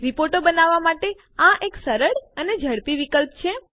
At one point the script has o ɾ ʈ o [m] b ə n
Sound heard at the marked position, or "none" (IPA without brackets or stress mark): none